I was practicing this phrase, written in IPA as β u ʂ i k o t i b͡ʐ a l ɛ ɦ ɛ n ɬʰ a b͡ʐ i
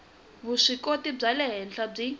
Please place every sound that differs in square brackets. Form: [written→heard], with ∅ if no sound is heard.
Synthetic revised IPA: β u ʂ i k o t i b͡ʐ a l ɛ ɦ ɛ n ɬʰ a b͡ʐ i